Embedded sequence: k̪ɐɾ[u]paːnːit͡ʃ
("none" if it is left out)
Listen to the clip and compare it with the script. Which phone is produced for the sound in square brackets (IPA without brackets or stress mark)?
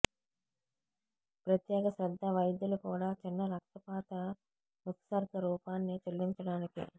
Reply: uː